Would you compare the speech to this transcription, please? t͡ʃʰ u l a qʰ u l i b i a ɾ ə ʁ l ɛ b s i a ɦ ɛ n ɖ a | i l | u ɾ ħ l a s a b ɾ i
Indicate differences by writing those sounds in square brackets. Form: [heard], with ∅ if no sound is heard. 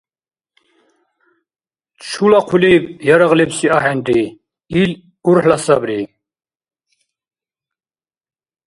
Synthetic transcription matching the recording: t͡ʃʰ u l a qʰ u l i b [j] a ɾ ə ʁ l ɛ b s i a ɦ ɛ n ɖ [i] | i l | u ɾ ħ l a s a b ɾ i